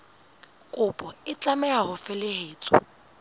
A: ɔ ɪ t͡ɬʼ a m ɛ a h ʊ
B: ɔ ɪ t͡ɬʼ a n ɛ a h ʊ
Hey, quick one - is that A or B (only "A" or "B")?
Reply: A